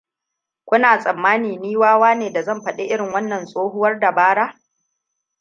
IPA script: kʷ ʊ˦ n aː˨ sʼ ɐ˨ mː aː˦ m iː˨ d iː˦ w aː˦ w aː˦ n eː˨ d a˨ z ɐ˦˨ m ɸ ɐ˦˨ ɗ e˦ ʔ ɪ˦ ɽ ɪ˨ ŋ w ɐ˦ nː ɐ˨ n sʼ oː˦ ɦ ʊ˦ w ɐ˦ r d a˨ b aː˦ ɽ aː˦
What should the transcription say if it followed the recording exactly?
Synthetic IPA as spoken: kʷ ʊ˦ n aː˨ sʼ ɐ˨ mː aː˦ n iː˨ n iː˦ w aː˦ w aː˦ n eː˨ d a˨ z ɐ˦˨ m ɸ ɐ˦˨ ɗ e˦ ʔ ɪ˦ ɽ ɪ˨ ŋ w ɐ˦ nː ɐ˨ n sʼ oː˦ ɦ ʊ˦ w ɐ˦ r d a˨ b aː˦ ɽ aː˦